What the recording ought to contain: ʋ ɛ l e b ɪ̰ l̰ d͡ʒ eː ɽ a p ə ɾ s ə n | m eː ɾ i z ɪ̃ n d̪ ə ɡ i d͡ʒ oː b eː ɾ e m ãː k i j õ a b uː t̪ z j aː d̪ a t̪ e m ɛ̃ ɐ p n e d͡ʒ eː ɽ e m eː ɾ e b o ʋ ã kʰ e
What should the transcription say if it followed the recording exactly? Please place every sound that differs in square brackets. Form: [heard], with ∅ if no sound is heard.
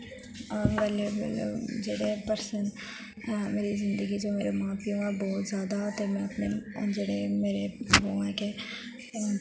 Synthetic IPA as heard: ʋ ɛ l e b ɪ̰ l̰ d͡ʒ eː ɽ [e] p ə ɾ s ə n | m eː ɾ i z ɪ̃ n d̪ ə ɡ i d͡ʒ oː [m] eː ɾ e m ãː [p] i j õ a b [ɔː] t̪ z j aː d̪ a t̪ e m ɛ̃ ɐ p n e d͡ʒ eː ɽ e m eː ɾ e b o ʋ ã [k] e